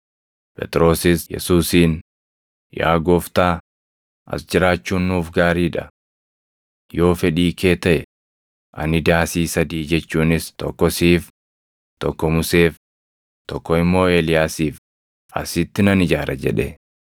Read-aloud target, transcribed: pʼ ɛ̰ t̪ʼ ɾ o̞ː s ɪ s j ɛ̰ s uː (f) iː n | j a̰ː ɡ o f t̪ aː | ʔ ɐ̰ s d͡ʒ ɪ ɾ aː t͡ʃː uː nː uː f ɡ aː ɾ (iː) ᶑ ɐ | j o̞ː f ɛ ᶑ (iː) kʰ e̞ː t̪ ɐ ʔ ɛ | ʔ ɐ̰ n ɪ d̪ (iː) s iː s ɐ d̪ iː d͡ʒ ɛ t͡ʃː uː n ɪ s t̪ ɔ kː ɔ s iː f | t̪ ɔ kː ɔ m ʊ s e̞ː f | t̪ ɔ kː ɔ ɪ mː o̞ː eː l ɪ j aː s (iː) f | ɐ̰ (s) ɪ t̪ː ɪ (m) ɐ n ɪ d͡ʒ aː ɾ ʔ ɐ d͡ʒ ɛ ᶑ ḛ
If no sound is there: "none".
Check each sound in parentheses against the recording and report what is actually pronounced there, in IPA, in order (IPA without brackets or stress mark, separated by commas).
s, iː, iː, aː, iː, s, n